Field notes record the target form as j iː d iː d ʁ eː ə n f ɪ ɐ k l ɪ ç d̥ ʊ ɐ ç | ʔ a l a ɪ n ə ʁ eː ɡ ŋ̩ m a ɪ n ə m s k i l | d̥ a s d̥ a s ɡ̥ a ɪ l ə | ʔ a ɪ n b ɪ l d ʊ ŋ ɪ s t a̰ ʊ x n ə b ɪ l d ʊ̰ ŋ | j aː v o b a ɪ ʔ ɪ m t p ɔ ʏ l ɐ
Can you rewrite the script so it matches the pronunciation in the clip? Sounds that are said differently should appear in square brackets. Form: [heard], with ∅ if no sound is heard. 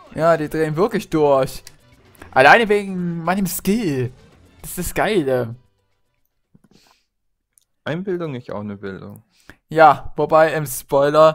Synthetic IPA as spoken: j [aː] d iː d ʁ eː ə n [v] ɪ ɐ k l ɪ ç d̥ ʊ ɐ ç | ʔ a l a ɪ n ə [v] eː ɡ ŋ̩ m a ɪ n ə m s k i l | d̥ a s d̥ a s ɡ̥ a ɪ l ə | ʔ a ɪ n b ɪ l d ʊ ŋ ɪ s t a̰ ʊ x n ə b ɪ l d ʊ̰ ŋ | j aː v o b a ɪ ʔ ɪ m [s] p ɔ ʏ l ɐ